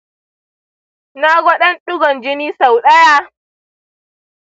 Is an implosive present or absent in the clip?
present